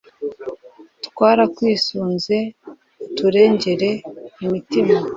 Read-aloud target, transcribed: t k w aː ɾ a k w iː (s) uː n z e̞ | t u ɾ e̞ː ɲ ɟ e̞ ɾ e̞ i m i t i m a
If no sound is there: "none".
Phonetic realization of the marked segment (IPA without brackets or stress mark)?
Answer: s